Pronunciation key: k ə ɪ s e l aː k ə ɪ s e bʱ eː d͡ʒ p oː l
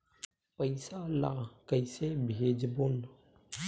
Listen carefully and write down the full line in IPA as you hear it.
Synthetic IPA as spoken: p ə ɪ s a l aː k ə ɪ s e bʱ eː d͡ʒ b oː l